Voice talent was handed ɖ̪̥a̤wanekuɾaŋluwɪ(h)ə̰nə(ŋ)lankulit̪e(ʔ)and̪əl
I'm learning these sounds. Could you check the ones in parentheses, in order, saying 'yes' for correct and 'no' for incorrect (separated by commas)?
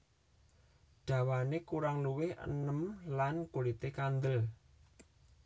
yes, no, no